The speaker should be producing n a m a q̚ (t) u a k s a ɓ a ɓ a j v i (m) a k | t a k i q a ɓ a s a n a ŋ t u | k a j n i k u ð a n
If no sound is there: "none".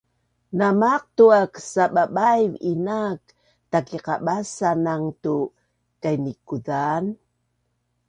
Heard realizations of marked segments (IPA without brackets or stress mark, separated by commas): t, n